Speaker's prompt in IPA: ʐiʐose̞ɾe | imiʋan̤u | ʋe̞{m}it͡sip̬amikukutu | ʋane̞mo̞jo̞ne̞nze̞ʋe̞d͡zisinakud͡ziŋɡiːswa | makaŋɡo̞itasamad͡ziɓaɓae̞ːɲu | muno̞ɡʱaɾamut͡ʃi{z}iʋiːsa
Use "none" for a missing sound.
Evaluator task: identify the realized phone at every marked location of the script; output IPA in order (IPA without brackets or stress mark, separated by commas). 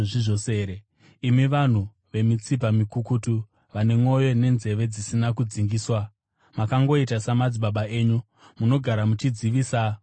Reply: m, d͡z